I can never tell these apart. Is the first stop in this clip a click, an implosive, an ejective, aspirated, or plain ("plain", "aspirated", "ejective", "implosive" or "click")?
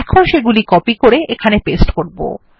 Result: aspirated